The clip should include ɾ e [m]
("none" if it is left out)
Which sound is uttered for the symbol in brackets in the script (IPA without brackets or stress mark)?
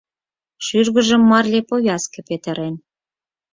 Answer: n